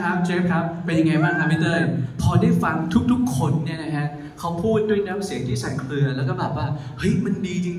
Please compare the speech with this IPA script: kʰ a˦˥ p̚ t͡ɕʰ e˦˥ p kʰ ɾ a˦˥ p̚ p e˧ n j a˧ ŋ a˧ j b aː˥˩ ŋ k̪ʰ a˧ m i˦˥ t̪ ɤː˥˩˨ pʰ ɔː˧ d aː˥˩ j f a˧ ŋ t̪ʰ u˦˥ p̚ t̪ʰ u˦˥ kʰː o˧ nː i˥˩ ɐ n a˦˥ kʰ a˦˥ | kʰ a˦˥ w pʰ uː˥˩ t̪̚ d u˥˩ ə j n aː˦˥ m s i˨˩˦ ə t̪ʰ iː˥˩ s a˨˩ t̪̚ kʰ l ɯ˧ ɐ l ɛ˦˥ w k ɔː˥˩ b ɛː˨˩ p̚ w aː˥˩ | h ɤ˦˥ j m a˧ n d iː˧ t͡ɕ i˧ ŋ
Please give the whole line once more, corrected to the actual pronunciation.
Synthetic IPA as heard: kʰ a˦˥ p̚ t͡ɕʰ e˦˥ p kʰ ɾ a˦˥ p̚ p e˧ n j a˧ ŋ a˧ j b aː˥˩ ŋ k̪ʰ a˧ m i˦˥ t̪ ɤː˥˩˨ pʰ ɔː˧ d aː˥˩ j f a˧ ŋ t̪ʰ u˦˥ k̚ t̪ʰ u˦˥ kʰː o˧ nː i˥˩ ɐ n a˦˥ kʰ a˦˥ | kʰ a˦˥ w pʰ uː˥˩ t̪̚ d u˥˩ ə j n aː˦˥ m s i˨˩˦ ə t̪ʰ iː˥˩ s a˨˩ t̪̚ kʰ l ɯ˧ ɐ l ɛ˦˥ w k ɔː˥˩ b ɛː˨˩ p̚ w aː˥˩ | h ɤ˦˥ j m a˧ n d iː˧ t͡ɕ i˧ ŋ